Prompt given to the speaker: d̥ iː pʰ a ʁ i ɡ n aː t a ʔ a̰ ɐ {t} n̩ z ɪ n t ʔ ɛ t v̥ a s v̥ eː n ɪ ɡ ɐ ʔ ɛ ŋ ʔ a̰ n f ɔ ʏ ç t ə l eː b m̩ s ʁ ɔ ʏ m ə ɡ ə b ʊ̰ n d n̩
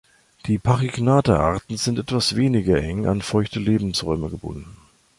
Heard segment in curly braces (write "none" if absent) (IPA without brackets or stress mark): t